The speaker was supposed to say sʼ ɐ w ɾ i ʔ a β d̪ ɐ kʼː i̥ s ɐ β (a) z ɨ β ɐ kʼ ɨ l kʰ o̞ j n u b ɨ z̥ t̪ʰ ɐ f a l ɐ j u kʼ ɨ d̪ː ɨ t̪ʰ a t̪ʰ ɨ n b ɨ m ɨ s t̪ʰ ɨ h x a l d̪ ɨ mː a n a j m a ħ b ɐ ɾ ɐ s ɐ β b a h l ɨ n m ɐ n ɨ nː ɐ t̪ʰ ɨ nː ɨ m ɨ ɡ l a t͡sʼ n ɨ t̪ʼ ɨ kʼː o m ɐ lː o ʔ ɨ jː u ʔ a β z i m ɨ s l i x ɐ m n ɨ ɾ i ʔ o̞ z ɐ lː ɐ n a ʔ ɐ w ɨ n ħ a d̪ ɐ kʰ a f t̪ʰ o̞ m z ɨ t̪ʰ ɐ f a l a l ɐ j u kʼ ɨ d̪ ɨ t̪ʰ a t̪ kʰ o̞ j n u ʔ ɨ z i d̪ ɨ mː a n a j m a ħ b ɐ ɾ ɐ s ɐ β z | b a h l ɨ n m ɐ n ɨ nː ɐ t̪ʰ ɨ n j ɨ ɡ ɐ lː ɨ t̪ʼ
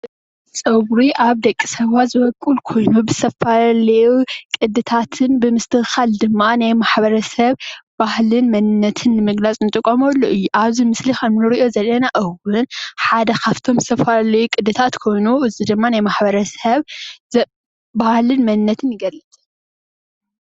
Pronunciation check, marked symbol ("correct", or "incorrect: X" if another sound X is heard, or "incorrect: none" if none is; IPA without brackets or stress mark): correct